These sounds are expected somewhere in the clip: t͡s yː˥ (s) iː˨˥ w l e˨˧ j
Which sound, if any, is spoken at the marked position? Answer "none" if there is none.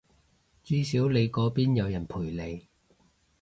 s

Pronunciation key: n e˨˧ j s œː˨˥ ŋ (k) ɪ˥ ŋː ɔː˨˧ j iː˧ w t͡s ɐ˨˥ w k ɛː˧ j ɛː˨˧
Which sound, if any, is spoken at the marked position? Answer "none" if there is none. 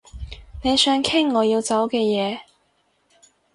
kʰ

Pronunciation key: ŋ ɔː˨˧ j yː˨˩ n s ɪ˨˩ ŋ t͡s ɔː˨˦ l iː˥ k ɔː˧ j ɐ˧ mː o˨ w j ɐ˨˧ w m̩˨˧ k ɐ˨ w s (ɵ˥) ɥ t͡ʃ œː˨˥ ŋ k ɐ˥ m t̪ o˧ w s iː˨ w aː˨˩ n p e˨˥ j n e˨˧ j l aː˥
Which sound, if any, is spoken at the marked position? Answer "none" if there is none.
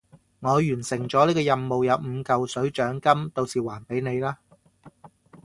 ɵ˨˥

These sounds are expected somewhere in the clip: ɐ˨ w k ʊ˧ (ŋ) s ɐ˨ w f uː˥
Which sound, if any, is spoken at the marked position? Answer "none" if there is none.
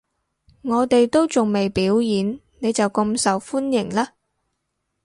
m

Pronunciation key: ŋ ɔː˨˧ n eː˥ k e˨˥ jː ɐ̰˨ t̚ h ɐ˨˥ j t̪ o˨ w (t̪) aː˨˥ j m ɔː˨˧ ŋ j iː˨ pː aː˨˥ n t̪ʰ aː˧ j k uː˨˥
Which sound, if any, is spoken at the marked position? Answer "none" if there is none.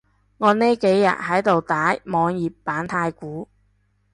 t̪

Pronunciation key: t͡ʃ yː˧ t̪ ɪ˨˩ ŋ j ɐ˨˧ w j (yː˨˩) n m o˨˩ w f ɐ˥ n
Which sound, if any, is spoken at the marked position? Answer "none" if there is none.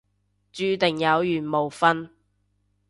yː˨˩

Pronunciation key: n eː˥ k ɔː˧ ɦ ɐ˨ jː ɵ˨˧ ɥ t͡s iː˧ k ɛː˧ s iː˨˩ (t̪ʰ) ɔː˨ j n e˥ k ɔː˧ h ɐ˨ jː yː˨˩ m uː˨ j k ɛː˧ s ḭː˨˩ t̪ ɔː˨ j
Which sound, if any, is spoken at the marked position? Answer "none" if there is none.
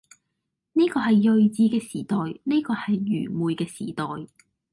t̪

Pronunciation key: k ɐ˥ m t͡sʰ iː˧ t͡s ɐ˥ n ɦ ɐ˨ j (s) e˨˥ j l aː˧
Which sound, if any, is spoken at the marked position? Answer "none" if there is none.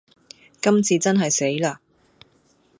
s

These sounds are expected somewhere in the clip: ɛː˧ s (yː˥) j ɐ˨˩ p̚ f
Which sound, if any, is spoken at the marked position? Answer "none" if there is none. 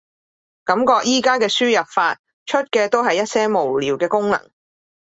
yː˥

